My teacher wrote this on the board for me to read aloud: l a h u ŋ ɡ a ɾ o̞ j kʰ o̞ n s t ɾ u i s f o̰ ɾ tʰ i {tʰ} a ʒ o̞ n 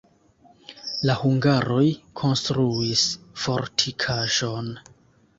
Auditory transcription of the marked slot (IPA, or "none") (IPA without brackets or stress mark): kʰ